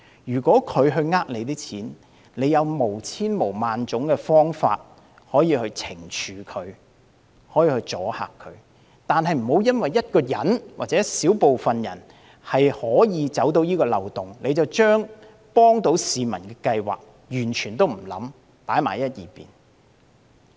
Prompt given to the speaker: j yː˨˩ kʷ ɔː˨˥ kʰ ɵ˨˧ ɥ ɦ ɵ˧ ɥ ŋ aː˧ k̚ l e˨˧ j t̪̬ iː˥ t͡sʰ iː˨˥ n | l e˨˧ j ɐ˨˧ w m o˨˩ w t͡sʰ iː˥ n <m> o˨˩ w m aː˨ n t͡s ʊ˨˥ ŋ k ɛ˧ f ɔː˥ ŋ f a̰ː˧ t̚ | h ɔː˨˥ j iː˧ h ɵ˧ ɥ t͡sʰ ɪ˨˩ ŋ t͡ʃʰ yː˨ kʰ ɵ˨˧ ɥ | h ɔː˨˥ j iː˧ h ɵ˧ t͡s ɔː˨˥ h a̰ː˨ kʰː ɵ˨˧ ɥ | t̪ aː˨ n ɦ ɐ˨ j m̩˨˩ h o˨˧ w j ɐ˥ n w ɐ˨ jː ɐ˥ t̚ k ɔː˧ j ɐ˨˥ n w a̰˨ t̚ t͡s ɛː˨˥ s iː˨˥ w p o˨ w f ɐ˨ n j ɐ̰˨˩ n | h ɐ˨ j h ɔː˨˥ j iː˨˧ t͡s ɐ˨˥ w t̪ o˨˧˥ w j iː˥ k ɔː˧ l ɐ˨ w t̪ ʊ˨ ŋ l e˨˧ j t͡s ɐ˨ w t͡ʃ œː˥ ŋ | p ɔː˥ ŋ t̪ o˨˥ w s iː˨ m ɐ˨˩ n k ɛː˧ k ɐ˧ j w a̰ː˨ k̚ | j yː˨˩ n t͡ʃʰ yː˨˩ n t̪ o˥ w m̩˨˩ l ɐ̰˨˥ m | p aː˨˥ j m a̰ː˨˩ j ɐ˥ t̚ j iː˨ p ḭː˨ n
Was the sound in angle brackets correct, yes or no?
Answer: yes